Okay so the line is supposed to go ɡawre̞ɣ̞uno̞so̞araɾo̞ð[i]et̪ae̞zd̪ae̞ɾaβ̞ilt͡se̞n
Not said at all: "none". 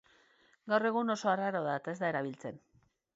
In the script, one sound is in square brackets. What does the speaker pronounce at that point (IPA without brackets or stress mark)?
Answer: a